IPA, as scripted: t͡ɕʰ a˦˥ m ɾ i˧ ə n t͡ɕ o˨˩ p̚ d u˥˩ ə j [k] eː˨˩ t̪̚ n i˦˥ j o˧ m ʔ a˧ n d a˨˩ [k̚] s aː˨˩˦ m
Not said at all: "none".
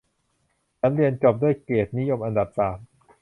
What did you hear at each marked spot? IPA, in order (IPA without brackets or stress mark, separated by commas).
k, p̚